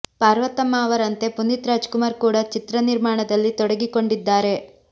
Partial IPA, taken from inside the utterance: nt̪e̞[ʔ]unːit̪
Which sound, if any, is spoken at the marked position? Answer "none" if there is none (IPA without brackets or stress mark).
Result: p